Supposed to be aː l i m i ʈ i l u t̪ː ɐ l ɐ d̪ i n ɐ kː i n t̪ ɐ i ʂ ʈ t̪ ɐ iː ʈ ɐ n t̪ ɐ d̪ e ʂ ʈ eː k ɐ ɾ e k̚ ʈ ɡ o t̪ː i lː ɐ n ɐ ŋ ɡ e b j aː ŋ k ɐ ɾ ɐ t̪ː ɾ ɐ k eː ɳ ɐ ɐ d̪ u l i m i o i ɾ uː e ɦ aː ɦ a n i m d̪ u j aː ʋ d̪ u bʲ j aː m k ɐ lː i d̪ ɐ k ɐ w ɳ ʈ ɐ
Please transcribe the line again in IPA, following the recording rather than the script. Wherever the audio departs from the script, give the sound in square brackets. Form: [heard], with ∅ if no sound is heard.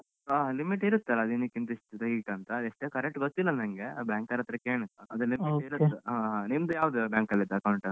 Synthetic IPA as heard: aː l i m i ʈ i [ɾ] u t̪ː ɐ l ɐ d̪ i n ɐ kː i n t̪ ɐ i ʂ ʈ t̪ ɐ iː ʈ ɐ n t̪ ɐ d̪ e ʂ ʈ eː k ɐ ɾ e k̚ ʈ ɡ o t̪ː i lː ɐ n ɐ ŋ ɡ e b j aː ŋ k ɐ ɾ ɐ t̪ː ɾ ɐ k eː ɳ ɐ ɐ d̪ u l i m i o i ɾ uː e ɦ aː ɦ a n i m d̪ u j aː ʋ d̪ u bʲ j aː [ŋ] k ɐ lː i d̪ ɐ k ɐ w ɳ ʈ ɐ

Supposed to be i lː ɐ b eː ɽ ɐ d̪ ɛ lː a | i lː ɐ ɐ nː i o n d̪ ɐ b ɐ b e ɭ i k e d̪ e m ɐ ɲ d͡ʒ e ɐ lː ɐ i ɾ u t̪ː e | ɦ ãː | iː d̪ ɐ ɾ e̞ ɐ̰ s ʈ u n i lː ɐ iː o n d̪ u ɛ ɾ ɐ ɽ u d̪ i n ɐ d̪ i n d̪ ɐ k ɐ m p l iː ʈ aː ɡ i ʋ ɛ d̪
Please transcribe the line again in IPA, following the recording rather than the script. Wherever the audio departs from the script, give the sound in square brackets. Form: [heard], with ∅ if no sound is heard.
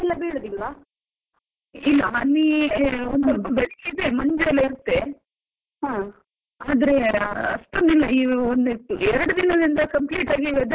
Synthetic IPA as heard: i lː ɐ b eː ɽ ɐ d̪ [i] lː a | i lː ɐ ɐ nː i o n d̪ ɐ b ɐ b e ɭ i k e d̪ e m ɐ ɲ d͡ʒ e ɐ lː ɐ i ɾ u t̪ː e | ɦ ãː | [aː] d̪ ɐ ɾ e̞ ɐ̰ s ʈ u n i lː ɐ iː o n d̪ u ɛ ɾ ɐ ɽ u d̪ i n ɐ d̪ i n d̪ ɐ k ɐ m p l iː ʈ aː ɡ i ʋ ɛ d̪

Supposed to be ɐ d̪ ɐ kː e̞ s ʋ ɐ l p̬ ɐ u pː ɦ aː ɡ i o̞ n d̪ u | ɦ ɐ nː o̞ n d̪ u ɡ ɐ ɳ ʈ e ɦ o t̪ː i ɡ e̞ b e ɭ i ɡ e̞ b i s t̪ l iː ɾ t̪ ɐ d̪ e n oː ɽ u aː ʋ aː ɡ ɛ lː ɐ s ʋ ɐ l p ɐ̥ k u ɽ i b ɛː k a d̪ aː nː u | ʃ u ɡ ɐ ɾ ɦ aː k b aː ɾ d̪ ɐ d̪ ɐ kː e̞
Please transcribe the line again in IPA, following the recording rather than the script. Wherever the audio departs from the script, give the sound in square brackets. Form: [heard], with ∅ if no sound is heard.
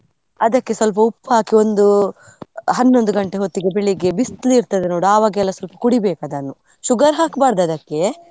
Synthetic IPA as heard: ɐ d̪ ɐ kː e̞ s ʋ ɐ l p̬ ɐ u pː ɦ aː [k] i o̞ n d̪ u | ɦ ɐ nː o̞ n d̪ u ɡ ɐ ɳ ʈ e ɦ o t̪ː i ɡ e̞ b e ɭ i ɡ e̞ b i s t̪ l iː ɾ t̪ ɐ d̪ e n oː ɽ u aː ʋ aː ɡ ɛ lː ɐ s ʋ ɐ l p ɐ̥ k u ɽ i b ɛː k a d̪ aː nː u | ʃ u ɡ ɐ ɾ ɦ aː k b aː ɾ d̪ ɐ d̪ ɐ kː e̞

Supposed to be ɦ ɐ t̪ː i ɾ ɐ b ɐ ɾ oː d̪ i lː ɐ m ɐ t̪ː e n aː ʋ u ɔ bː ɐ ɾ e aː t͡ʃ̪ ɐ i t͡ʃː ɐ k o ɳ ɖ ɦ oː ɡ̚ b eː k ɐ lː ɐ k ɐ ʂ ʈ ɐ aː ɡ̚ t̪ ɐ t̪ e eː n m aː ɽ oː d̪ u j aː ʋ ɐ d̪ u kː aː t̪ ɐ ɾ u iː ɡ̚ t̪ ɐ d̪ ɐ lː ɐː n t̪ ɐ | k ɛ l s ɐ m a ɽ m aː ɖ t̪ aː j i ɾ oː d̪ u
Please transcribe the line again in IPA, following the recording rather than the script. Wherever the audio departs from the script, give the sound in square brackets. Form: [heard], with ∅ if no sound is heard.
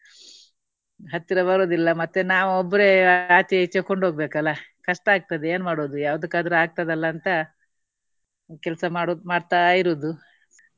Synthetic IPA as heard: ɦ ɐ t̪ː i ɾ ɐ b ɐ ɾ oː d̪ i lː ɐ m ɐ t̪ː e n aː ʋ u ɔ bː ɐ ɾ e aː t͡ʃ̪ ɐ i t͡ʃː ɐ k o ɳ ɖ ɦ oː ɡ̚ b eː k ɐ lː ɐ k ɐ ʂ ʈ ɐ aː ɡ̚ t̪ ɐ [d̪] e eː n m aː ɽ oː d̪ u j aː ʋ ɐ d̪ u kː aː [d̪] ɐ ɾ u [aː] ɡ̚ t̪ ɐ d̪ ɐ lː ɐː n t̪ ɐ | k ɛ l s ɐ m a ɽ m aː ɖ t̪ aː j i ɾ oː d̪ u

